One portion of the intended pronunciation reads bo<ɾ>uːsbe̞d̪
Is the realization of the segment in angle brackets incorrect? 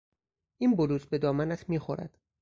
yes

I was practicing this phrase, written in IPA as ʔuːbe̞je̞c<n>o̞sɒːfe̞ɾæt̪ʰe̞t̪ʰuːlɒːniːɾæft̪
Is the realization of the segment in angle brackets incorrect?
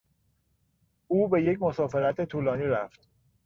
yes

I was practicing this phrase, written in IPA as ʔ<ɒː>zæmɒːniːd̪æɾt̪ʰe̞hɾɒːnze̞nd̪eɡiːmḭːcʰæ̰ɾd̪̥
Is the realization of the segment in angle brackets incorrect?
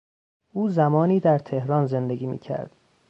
yes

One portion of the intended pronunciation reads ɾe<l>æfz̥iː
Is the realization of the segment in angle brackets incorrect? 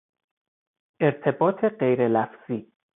no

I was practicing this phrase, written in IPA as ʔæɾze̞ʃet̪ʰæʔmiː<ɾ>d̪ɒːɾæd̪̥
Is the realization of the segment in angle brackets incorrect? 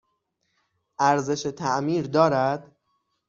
no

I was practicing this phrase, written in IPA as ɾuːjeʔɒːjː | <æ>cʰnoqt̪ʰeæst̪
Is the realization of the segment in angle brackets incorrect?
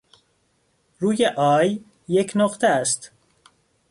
yes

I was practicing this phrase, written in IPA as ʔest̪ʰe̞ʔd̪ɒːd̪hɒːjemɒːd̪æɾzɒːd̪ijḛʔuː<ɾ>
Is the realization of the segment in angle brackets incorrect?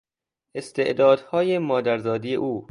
yes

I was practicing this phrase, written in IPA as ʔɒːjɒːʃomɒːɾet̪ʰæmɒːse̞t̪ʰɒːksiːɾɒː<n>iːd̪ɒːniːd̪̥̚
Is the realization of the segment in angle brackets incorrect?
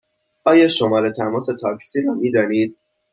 yes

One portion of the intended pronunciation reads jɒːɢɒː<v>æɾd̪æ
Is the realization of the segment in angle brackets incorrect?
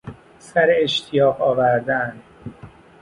no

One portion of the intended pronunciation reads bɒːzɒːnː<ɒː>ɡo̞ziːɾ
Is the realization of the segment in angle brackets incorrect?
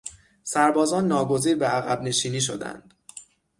no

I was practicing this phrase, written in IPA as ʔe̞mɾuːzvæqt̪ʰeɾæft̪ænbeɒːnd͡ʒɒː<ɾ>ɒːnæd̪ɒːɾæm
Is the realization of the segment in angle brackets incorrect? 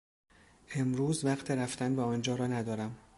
no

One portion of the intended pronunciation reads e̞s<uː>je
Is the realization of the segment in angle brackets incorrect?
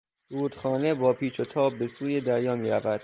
no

